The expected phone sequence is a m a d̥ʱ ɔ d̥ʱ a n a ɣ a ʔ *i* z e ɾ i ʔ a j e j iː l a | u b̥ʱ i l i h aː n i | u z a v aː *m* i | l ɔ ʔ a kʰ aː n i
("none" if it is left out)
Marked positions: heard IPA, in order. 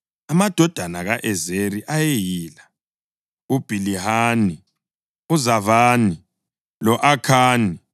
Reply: ɛ, n

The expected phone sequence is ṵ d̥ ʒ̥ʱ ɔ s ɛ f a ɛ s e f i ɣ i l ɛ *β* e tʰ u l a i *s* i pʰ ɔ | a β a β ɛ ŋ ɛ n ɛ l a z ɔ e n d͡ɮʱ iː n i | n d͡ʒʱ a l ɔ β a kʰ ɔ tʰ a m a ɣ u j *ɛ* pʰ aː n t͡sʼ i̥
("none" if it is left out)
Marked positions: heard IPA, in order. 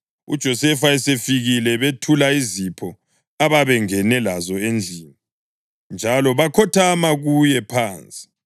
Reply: β, z, ɛ

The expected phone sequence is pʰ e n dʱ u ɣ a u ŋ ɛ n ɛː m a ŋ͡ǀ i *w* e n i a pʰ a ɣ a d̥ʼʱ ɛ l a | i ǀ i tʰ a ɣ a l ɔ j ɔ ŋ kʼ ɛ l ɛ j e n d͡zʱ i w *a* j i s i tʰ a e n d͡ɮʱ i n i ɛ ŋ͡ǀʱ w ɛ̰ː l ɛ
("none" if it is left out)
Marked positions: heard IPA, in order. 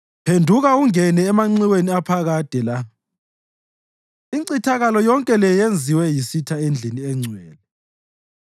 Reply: w, ɛ

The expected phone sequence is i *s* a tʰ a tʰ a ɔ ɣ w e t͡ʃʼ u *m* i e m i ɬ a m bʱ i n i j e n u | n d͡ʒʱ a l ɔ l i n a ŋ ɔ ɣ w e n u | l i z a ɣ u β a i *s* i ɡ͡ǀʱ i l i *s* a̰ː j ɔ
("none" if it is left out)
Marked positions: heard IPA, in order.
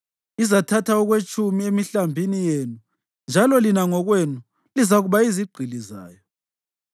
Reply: z, m, z, z

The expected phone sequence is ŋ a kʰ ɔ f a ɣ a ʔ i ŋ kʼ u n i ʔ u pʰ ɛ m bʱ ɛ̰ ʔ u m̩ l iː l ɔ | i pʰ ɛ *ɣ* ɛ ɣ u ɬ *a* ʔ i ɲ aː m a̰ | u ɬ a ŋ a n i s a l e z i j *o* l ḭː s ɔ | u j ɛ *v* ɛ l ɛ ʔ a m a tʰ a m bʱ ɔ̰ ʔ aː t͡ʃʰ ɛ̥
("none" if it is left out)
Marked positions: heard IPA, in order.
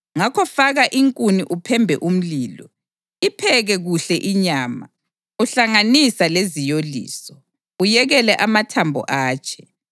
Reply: ɣ, ɛ, o, ɣ

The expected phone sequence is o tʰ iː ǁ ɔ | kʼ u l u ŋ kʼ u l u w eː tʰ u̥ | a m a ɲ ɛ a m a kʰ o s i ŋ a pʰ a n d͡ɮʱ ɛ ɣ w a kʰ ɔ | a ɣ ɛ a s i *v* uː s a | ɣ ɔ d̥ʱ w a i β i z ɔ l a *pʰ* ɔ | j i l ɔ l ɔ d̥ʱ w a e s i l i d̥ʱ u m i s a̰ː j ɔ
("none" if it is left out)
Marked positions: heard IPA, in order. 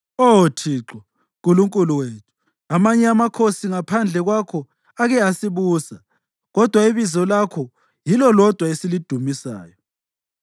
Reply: β, kʰ

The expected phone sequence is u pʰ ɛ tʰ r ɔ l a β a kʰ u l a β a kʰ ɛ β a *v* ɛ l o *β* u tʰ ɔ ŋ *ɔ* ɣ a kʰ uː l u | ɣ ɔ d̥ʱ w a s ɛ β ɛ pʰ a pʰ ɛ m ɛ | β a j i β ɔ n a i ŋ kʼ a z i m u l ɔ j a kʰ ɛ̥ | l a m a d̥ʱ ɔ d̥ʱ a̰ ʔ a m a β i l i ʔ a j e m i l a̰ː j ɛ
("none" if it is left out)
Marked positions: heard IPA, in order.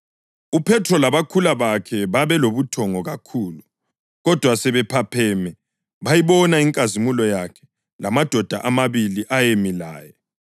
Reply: β, β, ɔ

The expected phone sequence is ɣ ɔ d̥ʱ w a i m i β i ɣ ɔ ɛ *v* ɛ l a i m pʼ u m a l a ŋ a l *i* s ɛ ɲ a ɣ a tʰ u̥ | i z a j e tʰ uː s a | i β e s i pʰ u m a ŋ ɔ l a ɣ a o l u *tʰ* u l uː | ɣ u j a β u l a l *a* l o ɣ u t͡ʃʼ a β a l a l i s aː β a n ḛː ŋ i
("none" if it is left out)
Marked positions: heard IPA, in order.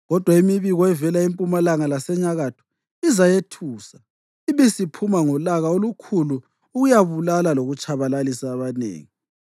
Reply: v, a, kʰ, a

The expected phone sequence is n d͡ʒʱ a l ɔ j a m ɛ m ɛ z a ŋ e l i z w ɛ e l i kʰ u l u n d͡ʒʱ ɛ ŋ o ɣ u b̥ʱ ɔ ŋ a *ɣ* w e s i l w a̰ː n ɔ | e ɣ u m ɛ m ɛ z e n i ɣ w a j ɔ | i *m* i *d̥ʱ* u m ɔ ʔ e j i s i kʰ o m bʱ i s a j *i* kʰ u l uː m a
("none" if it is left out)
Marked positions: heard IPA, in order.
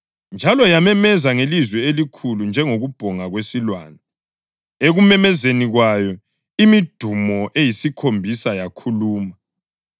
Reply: ɣ, m, d̥ʱ, a

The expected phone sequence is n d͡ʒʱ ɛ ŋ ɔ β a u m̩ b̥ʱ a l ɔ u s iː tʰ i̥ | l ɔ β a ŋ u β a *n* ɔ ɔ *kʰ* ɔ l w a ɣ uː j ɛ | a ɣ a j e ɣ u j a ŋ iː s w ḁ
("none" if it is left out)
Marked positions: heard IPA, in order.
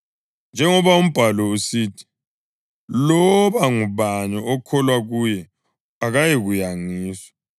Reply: ɲ, kʰ

